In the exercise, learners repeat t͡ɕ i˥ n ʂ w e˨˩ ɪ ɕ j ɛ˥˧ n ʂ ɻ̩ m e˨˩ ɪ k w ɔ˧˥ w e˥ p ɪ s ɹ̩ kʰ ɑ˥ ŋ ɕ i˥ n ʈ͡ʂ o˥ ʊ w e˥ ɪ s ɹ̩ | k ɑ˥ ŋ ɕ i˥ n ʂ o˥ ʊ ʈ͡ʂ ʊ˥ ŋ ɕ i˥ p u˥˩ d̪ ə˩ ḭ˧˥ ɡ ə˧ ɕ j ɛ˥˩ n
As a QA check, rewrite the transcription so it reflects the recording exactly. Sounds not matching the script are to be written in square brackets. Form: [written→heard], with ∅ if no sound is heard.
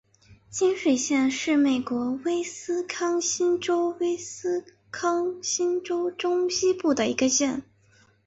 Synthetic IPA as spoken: t͡ɕ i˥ n ʂ w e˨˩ ɪ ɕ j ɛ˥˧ n ʂ ɻ̩ m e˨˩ ɪ k w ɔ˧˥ w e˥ [p→∅] ɪ s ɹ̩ kʰ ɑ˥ ŋ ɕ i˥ n ʈ͡ʂ o˥ ʊ w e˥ ɪ s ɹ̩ | [k→kʰ] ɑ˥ ŋ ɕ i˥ n [ʂ→ʈ͡ʂ] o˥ ʊ ʈ͡ʂ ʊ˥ ŋ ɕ i˥ p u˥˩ d̪ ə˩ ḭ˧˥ ɡ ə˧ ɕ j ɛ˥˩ n